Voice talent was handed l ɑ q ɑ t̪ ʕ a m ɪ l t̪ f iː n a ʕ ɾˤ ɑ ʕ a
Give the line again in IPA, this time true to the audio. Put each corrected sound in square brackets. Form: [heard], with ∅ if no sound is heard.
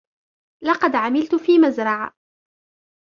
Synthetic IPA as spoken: l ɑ q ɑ [d̪] ʕ a m ɪ l t̪ f iː [m] a [z] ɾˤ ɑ ʕ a